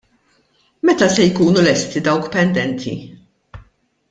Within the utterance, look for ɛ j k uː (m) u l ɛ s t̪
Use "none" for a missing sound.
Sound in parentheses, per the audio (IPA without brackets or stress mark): n